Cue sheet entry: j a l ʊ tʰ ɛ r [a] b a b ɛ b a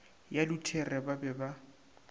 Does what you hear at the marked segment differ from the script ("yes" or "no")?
yes